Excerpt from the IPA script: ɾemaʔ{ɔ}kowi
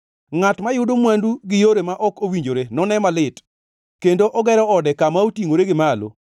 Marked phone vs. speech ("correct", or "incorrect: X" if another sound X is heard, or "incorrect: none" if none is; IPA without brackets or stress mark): correct